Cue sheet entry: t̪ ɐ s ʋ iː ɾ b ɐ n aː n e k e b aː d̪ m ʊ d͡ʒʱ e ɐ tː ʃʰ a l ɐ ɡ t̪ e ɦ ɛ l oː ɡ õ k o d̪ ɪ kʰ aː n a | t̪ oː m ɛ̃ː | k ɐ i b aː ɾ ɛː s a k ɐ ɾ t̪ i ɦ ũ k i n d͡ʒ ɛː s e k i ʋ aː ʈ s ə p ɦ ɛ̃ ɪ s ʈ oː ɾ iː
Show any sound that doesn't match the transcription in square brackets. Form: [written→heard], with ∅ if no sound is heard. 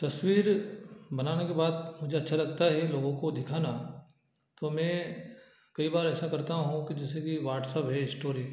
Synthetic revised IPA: t̪ ɐ s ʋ iː ɾ b ɐ n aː n e k e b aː d̪ m ʊ d͡ʒʱ e ɐ tː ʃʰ a l ɐ ɡ t̪ [e→a] ɦ ɛ l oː ɡ õ k o d̪ ɪ kʰ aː n a | t̪ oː m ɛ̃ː | k ɐ i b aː ɾ ɛː s a k ɐ ɾ t̪ [i→a] ɦ ũ k i [n→∅] d͡ʒ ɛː s e k i ʋ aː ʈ s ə p ɦ [ɛ̃→ɛ] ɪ s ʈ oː ɾ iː